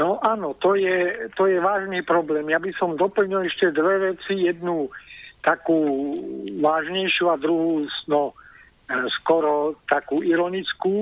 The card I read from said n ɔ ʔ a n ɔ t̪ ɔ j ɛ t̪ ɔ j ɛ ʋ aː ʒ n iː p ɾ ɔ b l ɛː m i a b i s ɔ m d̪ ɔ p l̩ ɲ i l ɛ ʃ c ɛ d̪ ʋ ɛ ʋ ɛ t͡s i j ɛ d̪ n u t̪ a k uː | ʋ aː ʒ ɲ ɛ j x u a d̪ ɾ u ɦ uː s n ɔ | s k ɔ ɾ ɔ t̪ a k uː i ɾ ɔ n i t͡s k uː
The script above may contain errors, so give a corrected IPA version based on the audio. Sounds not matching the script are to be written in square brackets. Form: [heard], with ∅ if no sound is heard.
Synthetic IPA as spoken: n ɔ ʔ a n ɔ t̪ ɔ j ɛ t̪ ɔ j ɛ ʋ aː ʒ n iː p ɾ ɔ b l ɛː m [j] a b i s ɔ m d̪ ɔ p l̩ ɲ i l ɛ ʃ c ɛ d̪ ʋ ɛ ʋ ɛ t͡s i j ɛ d̪ n u t̪ a k uː | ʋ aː ʒ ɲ ɛ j [ʃ] u a d̪ ɾ u ɦ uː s n ɔ | s k ɔ ɾ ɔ t̪ a k uː i ɾ ɔ n i t͡s k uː